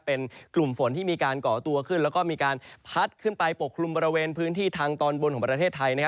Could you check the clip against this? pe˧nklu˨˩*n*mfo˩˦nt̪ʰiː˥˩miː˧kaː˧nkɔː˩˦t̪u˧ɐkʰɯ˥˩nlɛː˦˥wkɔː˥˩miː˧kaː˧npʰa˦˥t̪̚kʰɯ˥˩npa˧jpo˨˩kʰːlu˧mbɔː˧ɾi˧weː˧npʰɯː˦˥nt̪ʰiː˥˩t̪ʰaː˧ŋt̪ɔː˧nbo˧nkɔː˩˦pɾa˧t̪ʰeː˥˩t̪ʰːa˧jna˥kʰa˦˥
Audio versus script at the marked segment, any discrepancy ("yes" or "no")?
yes